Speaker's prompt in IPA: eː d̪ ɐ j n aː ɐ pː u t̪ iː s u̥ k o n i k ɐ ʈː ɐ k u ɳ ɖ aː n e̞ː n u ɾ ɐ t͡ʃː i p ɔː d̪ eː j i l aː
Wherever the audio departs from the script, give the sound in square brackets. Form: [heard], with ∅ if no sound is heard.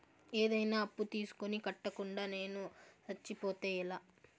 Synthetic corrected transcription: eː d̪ ɐ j n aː ɐ pː u t̪ iː s u̥ k o n i k ɐ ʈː ɐ k u ɳ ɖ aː n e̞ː n u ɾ ɐ t͡ʃː i p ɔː [t̪] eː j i l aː